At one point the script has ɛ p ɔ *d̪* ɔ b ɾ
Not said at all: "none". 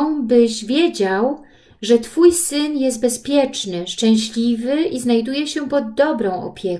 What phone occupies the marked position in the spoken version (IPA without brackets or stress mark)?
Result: d̪ː